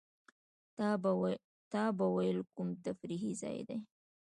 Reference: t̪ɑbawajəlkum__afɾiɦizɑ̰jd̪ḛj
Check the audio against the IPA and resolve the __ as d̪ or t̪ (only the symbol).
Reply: t̪